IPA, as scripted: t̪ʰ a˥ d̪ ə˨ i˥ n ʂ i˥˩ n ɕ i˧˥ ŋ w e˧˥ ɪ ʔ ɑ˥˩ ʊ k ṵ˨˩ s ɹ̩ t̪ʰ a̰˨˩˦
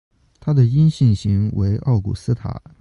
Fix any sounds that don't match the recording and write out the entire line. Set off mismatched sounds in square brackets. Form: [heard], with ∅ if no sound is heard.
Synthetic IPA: t̪ʰ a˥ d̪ ə˨ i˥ n [ɕ] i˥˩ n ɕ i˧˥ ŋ w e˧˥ ɪ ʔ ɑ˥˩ ʊ k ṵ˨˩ s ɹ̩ t̪ʰ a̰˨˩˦